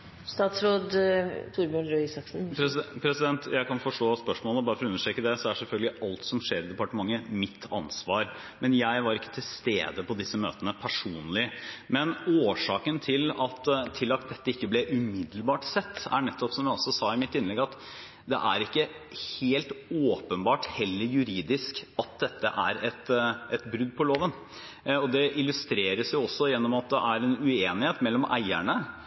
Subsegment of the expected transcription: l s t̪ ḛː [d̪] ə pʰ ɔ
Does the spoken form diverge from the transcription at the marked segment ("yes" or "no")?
no